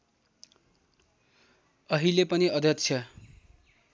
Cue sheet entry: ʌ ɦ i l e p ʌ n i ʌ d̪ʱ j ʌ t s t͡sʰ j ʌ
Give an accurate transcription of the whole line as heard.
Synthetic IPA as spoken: ʌ ɦ i l e p ʌ n i ʌ d̪ʱ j ʌ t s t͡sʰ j ʌ